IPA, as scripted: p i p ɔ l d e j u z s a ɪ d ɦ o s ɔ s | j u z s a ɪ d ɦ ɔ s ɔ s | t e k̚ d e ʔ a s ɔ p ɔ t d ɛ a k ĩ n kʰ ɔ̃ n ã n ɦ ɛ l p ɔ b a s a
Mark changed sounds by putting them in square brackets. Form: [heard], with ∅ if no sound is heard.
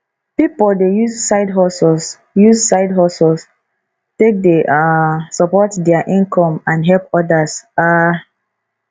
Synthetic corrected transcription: p i p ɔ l d e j u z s a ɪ d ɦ [ɔ] s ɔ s | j u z s a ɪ d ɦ ɔ s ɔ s | t e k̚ d e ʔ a s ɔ p ɔ t d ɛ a [ʔ] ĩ n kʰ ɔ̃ [m] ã n ɦ ɛ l p ɔ [d] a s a